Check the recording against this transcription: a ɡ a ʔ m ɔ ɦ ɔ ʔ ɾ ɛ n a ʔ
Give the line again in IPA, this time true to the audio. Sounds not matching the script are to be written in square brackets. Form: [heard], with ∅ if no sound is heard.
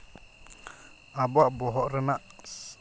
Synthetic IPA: a [b] a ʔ [b] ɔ ɦ ɔ ʔ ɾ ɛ n a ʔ